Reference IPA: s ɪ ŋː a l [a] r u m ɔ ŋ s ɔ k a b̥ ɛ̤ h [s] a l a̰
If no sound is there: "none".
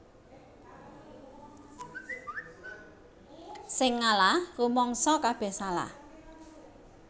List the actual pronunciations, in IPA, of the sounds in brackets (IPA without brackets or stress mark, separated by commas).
a, s